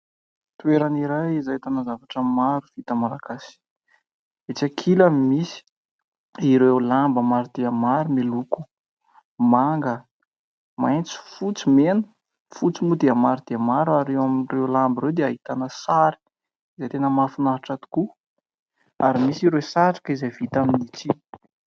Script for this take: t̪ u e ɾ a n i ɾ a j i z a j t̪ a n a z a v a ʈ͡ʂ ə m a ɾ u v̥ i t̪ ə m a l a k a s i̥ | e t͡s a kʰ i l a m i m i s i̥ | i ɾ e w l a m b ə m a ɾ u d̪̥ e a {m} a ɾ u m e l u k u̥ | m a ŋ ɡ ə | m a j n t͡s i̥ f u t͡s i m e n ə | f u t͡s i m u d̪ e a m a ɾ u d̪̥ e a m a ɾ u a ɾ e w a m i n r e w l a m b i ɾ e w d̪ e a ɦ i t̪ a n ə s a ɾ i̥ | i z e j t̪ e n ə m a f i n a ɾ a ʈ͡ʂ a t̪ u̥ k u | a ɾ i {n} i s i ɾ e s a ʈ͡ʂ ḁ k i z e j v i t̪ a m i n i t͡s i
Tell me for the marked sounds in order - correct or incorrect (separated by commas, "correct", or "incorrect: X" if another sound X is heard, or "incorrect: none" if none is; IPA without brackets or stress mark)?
correct, incorrect: m